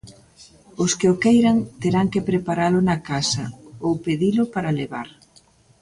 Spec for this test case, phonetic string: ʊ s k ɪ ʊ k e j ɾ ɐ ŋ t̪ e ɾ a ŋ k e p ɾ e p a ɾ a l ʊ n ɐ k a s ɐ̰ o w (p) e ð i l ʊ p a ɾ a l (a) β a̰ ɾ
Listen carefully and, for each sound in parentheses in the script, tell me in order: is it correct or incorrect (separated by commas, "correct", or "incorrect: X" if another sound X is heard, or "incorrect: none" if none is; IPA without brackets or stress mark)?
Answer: correct, incorrect: e